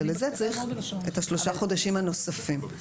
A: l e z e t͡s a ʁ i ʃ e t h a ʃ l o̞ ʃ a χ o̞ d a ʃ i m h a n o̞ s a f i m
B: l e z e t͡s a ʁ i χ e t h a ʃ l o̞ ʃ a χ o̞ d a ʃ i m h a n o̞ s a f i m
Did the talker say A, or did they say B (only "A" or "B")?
B